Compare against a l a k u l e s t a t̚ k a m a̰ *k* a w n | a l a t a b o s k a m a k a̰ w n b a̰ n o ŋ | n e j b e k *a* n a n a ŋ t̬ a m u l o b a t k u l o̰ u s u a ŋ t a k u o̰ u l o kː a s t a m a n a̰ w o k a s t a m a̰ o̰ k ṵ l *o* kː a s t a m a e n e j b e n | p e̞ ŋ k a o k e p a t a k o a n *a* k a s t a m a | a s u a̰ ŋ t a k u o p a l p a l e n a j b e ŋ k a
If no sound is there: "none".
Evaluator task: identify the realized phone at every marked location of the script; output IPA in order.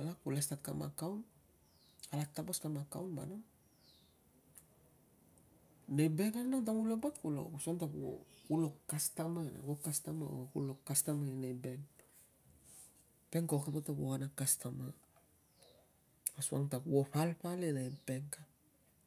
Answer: k, a, o, a

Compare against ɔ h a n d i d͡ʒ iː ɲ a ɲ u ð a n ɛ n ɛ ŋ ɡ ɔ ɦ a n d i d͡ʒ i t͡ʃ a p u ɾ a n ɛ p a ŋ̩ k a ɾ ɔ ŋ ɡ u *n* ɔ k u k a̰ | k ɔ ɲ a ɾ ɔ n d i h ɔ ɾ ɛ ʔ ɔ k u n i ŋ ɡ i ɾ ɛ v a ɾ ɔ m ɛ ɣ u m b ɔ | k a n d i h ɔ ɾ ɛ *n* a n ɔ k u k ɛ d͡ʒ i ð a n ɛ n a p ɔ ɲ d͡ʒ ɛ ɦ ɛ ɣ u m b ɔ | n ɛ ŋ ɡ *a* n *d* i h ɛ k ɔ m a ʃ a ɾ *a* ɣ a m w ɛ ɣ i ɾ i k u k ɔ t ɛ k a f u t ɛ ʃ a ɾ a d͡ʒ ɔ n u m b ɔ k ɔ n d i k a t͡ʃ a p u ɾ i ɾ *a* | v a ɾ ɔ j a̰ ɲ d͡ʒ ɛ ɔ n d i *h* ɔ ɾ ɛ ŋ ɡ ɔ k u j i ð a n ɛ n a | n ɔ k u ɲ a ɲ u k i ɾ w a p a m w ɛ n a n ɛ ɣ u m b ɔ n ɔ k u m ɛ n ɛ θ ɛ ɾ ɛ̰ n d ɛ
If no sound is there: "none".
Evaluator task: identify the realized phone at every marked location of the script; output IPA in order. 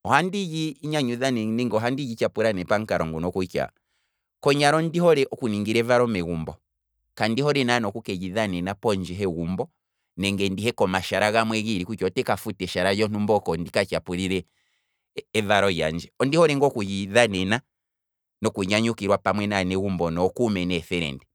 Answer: n, n, ɛ, d, a, ɛ, h

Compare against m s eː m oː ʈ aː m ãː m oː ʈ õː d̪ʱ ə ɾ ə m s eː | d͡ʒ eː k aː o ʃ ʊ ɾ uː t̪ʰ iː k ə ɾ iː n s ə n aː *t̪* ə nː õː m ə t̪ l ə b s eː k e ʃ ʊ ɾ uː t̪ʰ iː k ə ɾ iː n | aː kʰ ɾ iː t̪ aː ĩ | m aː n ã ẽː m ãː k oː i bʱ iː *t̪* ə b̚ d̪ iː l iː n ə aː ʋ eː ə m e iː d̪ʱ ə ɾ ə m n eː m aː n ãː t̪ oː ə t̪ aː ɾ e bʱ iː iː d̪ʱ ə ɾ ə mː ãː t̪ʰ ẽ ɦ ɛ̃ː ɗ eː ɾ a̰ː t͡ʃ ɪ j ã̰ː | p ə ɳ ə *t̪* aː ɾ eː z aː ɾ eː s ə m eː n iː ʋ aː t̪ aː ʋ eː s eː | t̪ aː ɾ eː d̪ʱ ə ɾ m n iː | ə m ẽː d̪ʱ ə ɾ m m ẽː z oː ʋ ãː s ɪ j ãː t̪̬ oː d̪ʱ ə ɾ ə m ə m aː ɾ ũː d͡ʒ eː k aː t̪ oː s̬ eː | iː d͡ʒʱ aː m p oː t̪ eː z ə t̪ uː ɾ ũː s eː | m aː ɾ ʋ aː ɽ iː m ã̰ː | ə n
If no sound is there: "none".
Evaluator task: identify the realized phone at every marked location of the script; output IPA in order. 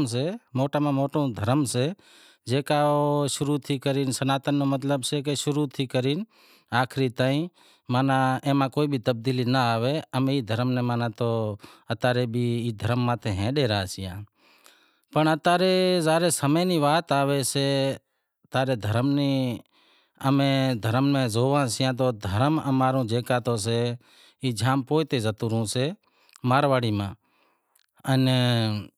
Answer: t̪, t̪, t̪

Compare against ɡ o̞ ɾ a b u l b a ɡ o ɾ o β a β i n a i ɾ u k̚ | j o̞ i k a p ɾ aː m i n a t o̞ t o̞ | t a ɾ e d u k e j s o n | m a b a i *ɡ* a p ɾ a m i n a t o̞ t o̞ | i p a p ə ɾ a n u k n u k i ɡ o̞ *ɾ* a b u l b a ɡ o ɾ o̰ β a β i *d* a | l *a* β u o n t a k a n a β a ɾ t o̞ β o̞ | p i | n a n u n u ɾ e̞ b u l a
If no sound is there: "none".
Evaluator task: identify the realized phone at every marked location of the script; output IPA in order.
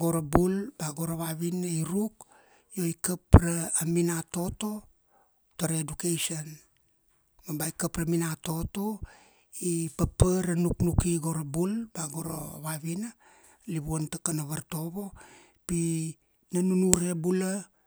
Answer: k, ɾ, n, i

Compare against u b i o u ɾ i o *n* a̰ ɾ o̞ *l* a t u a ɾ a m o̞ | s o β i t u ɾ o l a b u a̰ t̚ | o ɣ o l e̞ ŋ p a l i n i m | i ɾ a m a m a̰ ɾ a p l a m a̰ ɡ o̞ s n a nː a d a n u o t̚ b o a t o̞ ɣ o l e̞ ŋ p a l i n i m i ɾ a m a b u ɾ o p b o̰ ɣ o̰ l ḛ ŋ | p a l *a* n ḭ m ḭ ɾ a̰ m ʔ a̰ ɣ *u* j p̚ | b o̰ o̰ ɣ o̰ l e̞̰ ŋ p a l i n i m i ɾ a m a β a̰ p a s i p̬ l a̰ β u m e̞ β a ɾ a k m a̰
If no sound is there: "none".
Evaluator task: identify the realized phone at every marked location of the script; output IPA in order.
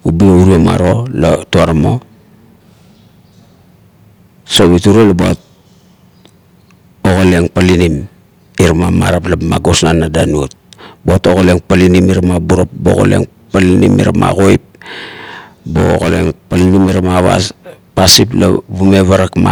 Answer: m, l, i, o

